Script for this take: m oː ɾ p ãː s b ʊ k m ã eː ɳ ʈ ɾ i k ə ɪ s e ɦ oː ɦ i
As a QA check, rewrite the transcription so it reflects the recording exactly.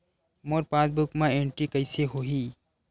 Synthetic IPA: m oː ɾ p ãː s b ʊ k m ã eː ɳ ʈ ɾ i k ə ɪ s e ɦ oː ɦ i